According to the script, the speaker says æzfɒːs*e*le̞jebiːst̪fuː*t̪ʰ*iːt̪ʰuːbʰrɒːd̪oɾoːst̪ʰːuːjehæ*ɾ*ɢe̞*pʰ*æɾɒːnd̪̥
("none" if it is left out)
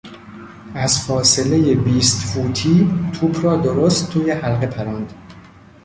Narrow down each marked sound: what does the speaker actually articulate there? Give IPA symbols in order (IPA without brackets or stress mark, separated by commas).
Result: e, t̪ʰ, l, pʰ